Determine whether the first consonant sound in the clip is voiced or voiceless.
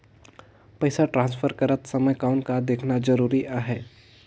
voiceless